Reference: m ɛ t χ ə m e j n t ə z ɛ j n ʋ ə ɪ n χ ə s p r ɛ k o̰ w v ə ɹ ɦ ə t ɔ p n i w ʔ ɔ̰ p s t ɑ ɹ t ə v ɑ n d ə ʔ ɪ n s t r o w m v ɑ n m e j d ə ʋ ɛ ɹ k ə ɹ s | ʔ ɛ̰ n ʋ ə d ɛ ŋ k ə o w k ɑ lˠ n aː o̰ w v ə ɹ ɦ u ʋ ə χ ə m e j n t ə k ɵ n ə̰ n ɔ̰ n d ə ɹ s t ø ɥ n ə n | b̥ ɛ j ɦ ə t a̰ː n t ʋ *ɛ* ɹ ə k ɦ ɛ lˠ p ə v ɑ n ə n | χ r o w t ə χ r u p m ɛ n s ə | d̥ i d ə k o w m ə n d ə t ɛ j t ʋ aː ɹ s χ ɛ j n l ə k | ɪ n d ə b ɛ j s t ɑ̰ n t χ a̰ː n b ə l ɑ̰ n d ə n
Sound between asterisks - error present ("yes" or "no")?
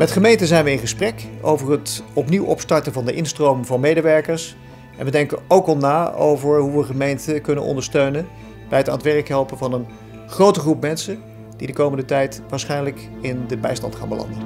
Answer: no